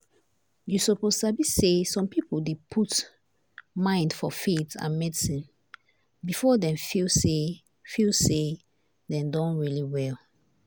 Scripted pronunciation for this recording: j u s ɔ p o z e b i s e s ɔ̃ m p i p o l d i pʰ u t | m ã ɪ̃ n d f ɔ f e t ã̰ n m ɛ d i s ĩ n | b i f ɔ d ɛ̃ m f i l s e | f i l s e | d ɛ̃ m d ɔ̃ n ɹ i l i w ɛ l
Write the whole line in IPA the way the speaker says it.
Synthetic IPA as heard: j u s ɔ p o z a b i s e s ɔ̃ m p i p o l d e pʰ u t | m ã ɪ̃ n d f ɔ f e t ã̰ n m ɛ d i s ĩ n | b i f ɔ d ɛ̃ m f i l s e | f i l s e | d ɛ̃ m d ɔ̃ n ɹ i l i w ɛ l